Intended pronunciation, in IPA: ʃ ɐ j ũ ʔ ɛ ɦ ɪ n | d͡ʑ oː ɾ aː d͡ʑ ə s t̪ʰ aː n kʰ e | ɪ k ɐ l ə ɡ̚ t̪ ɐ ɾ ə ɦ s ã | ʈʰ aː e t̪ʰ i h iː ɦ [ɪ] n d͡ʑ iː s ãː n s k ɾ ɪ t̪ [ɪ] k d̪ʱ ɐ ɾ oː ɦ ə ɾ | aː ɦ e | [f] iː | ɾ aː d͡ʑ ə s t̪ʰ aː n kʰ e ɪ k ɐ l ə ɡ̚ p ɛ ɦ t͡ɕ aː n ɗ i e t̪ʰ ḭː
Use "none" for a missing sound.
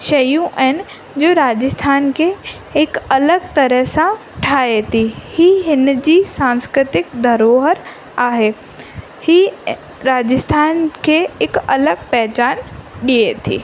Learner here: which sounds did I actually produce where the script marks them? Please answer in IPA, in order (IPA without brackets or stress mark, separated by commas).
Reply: ɪ, ɪ, h